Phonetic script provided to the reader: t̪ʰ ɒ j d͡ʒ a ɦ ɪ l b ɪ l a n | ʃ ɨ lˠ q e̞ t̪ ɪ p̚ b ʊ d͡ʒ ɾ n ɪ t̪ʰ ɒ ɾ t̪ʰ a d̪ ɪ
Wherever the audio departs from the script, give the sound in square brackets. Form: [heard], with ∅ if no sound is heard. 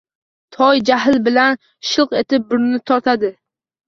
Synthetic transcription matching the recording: t̪ʰ ɒ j d͡ʒ a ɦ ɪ l b ɪ l a n | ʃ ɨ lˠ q e̞ t̪ ɪ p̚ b ʊ [∅] ɾ n ɪ t̪ʰ ɒ ɾ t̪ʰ a d̪ ɪ